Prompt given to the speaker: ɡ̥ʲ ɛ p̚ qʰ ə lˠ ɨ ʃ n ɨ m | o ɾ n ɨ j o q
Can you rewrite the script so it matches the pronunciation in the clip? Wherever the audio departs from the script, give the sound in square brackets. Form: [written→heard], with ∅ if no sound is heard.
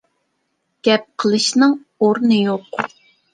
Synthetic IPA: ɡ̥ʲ ɛ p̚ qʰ ə lˠ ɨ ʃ n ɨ [m→ŋ] | o ɾ n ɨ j o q